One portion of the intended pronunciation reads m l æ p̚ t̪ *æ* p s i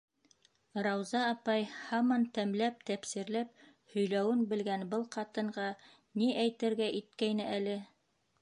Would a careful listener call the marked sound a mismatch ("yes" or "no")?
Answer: no